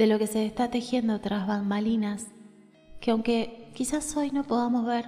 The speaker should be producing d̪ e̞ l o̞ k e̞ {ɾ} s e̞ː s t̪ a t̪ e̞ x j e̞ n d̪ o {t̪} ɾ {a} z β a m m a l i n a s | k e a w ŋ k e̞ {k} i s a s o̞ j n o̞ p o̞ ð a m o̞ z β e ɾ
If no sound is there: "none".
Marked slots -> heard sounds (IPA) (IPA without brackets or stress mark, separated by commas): none, t̪, a, k